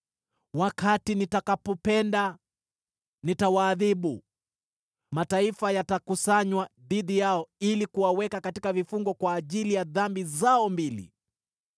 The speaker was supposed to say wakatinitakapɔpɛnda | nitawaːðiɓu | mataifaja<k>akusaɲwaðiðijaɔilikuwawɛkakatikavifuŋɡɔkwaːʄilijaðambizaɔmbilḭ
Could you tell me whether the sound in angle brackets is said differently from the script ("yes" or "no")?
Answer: yes